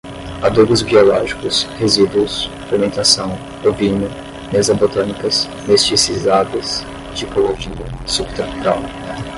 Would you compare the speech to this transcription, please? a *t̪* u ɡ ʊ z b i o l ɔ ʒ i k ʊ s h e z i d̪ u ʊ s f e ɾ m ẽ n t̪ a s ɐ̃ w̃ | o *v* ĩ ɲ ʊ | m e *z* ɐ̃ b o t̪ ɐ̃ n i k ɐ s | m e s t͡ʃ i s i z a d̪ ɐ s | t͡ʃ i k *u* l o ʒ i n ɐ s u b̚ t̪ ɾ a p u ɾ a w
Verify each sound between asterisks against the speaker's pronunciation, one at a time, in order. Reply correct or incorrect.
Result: incorrect: d̪, correct, correct, incorrect: o

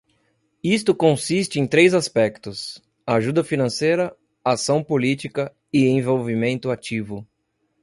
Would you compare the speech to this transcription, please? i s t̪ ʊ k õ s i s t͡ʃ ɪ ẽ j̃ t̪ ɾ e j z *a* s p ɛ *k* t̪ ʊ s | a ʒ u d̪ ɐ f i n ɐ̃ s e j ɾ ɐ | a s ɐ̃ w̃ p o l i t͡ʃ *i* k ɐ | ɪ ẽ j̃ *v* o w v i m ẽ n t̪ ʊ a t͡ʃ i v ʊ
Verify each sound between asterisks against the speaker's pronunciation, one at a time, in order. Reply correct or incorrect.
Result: correct, correct, correct, correct

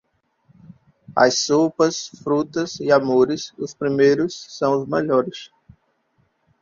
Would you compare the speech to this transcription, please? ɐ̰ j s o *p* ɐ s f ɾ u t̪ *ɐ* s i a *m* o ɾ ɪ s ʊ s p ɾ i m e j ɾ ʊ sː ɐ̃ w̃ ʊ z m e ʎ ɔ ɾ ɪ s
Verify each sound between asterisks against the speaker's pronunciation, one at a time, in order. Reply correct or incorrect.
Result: correct, correct, correct

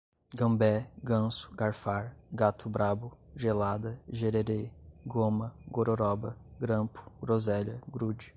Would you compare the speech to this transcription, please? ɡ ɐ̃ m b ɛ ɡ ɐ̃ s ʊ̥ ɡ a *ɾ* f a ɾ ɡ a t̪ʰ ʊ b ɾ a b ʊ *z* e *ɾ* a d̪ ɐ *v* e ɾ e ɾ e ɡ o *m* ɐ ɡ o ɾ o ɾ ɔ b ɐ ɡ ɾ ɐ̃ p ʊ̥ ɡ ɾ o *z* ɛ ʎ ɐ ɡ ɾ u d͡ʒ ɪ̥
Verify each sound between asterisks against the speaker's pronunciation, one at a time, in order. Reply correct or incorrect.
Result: correct, incorrect: ʒ, incorrect: l, incorrect: ʒ, correct, correct

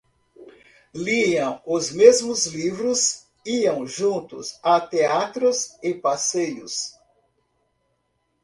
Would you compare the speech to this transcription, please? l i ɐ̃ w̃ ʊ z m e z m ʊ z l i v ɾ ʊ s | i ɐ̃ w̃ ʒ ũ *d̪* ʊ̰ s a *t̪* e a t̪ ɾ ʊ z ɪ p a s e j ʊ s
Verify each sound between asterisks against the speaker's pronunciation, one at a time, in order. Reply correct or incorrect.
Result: incorrect: t̪, correct

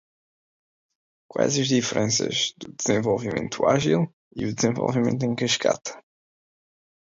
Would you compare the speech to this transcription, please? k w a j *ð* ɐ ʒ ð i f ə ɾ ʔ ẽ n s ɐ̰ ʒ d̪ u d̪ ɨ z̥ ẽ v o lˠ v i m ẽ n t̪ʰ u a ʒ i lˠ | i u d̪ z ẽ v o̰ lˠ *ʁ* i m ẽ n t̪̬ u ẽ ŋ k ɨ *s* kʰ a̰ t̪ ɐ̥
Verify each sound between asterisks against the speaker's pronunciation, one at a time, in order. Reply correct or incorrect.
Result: incorrect: z, incorrect: v, incorrect: ʃ

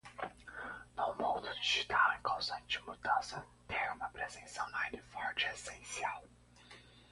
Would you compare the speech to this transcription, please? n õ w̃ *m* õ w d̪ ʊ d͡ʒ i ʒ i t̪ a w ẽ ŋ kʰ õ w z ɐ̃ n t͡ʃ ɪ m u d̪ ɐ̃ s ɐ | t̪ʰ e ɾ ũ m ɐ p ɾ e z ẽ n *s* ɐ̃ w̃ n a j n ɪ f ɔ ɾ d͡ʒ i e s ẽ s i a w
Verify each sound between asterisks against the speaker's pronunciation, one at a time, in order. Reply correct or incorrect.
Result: correct, correct

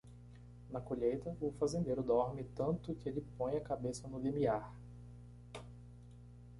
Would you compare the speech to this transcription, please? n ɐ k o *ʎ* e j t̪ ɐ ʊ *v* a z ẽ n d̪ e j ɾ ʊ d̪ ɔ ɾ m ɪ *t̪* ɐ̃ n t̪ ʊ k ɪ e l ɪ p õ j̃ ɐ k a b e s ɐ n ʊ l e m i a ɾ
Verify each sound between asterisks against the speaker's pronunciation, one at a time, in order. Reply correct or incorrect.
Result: correct, incorrect: f, correct

